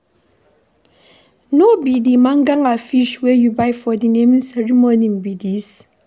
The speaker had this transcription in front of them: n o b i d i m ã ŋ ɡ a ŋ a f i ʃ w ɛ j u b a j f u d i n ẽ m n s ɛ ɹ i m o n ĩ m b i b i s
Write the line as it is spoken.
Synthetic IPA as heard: n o b i d i m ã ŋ ɡ a ŋ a f i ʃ w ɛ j u b a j f ɔ d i n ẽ m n s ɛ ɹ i m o n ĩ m b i d i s